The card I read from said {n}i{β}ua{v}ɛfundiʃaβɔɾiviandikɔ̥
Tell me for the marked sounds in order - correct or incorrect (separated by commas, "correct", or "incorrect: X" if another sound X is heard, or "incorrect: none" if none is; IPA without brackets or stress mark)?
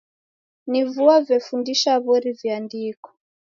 correct, incorrect: v, correct